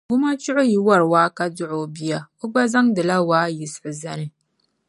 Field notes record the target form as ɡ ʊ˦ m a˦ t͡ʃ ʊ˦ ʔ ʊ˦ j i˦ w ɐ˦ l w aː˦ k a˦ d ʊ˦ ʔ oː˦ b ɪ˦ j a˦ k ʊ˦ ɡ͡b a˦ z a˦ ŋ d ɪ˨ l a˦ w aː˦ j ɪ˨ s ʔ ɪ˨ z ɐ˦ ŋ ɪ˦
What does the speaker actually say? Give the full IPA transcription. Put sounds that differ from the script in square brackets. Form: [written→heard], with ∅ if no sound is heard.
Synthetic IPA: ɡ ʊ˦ m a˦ t͡ʃ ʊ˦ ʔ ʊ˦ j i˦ w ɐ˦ [l→ɾ] w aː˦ k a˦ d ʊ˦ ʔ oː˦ b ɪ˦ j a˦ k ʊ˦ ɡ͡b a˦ z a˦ ŋ d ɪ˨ l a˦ w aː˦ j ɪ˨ s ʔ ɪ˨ z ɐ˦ [ŋ→n] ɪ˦